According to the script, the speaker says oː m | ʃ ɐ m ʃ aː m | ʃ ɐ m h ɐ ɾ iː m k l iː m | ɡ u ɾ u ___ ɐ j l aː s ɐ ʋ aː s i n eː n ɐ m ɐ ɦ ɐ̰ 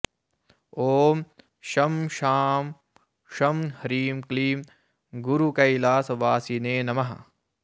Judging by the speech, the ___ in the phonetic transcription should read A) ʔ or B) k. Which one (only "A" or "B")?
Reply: B